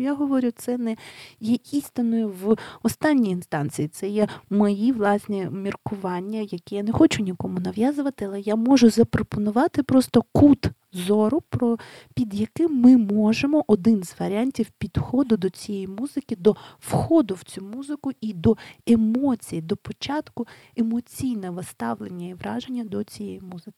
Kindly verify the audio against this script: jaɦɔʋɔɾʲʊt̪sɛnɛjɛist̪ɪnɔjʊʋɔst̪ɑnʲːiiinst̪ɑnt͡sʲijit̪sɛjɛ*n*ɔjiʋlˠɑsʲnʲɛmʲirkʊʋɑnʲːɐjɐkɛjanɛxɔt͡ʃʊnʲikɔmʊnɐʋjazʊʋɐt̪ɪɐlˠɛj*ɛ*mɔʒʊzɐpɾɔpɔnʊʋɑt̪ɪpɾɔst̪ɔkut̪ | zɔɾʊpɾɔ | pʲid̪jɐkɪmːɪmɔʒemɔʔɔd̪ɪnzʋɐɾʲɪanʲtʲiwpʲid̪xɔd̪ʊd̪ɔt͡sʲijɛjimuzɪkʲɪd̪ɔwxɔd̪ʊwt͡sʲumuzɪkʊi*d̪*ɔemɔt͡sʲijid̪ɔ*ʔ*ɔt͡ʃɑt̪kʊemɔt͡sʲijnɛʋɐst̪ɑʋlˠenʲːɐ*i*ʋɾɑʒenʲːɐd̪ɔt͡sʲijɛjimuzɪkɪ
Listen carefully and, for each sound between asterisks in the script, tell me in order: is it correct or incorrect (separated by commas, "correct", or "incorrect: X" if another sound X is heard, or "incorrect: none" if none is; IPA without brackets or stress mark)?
incorrect: m, incorrect: a, correct, incorrect: p, correct